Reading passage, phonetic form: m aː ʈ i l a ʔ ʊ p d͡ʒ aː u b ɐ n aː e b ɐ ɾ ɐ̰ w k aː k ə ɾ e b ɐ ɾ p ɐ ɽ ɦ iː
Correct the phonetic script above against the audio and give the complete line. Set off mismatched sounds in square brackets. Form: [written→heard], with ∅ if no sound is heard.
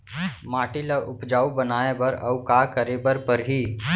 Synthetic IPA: m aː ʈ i l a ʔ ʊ p d͡ʒ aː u b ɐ n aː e b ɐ ɾ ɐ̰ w k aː k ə ɾ e b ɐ ɾ p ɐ [ɽ→ɾ] ɦ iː